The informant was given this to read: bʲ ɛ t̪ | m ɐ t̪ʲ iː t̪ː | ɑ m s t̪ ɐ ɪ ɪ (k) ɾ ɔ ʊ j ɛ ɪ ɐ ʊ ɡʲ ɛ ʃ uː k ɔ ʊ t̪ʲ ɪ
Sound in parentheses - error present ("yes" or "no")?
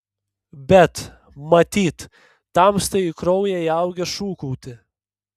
no